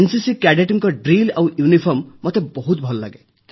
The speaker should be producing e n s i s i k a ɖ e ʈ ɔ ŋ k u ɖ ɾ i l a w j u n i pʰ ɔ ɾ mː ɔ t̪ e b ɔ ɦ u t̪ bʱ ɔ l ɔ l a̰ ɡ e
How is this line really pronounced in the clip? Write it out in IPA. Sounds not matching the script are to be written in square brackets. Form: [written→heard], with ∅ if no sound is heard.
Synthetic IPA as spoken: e n s i s i k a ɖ e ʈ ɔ ŋ k [u→ɔ] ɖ ɾ i l a w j u n i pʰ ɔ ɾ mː ɔ t̪ e b ɔ ɦ u t̪ bʱ ɔ l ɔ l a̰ ɡ e